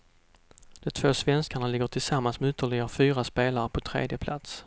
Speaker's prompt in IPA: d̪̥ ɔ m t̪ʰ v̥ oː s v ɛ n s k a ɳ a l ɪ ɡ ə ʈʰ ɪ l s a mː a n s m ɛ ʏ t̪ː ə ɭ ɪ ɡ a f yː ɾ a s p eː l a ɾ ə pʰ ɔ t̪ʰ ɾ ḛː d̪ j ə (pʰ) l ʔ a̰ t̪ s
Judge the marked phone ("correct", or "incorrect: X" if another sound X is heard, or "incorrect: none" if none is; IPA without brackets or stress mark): correct